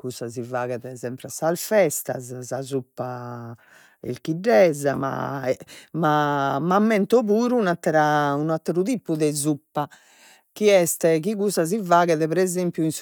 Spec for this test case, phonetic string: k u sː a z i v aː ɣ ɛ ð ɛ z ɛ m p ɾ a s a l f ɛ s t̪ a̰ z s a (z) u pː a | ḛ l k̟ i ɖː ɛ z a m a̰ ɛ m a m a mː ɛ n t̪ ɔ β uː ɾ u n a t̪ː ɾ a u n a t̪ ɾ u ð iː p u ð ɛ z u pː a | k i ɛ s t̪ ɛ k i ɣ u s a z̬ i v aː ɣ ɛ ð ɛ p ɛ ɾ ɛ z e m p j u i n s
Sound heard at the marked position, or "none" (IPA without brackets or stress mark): z